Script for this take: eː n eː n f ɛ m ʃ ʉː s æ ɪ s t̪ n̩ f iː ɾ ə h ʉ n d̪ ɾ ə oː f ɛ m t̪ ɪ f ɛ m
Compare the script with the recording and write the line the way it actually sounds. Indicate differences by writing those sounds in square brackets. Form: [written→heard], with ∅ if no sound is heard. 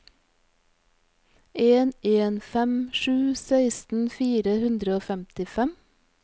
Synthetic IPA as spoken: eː n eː n f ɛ m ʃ ʉː s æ ɪ s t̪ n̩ f iː ɾ ə h ʉ n d̪ ɾ ə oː f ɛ m t̪ ɪ f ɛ m